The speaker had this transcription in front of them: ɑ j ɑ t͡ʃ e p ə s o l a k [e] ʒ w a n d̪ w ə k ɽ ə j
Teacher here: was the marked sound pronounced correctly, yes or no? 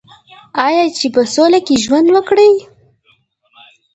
yes